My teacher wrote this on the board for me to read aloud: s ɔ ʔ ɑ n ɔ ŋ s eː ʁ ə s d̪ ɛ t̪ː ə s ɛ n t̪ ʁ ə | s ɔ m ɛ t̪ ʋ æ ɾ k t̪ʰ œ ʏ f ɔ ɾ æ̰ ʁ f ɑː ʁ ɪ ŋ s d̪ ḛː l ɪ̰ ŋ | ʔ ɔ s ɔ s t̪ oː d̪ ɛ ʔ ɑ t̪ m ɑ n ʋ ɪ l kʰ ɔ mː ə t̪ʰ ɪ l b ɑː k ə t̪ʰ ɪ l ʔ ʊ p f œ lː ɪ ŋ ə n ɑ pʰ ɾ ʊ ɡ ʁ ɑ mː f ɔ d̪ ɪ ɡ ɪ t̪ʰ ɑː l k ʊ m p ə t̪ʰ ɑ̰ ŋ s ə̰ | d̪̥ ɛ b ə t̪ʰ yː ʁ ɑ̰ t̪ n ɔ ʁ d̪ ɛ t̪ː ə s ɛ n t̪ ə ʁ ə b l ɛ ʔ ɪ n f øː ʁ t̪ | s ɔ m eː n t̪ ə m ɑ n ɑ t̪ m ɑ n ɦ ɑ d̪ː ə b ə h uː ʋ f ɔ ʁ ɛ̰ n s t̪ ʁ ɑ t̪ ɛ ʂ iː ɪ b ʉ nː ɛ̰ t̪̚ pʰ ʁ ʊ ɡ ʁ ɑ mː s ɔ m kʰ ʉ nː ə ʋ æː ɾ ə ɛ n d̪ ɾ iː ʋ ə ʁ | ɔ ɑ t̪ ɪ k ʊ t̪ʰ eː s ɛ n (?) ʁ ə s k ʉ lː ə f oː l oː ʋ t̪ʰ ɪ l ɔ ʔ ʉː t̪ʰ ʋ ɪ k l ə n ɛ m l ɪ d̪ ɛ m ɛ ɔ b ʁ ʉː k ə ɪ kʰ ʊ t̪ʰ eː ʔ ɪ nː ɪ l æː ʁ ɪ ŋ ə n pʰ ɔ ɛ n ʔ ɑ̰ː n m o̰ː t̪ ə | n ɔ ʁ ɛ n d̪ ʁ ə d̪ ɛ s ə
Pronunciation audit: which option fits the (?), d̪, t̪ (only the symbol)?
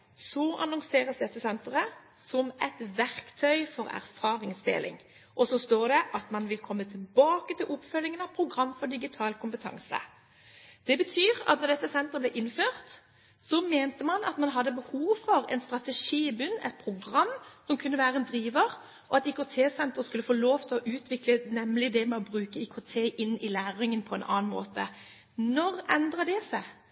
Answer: t̪